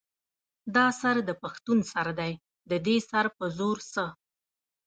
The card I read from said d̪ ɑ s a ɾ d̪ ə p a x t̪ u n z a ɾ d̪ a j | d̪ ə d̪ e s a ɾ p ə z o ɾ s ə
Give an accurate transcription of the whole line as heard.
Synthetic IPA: d̪ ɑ s a ɾ d̪ ə p a x t̪ u n s a ɾ d̪ a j | d̪ ə d̪ e s a ɾ p ə z o ɾ s ə